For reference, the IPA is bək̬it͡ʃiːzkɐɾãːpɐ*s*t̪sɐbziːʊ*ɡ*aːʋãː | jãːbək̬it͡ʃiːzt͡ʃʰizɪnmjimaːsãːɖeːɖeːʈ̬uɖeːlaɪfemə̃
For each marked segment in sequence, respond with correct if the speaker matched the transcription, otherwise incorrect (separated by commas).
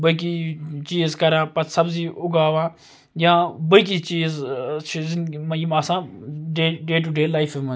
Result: incorrect, correct